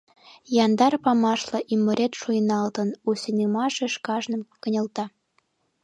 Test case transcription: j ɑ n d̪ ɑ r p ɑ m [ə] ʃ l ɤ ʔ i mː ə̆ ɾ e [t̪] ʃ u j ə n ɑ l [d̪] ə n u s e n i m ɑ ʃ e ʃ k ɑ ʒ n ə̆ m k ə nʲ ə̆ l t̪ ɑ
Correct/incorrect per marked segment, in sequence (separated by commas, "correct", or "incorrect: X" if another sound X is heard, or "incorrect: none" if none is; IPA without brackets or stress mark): incorrect: ɑ, correct, incorrect: t̪